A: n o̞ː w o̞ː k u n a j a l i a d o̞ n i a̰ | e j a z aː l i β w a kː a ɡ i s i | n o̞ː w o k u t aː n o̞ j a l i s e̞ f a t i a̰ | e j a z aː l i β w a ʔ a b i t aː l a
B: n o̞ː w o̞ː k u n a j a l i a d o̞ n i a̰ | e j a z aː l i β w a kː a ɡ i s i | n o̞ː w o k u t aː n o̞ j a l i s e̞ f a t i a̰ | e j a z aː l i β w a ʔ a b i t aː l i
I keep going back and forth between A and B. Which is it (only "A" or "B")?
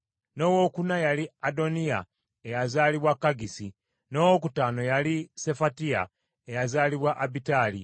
B